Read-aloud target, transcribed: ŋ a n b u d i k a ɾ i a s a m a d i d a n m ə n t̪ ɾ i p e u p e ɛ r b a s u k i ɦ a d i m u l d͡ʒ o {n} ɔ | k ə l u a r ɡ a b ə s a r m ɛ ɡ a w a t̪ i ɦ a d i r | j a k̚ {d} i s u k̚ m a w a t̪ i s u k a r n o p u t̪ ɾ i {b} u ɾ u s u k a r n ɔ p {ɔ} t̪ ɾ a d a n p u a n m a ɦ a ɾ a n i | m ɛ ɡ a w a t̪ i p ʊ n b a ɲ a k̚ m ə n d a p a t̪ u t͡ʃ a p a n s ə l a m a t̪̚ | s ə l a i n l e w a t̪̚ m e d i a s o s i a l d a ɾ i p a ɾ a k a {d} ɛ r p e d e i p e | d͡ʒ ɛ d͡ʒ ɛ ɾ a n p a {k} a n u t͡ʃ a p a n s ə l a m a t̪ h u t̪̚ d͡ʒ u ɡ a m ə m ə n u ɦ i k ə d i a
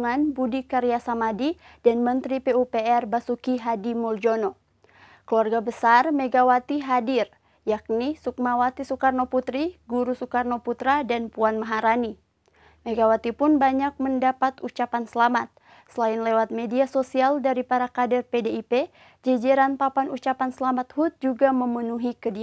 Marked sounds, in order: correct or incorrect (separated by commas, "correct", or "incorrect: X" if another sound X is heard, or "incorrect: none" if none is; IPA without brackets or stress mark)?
correct, incorrect: n, incorrect: ɡ, incorrect: u, correct, incorrect: p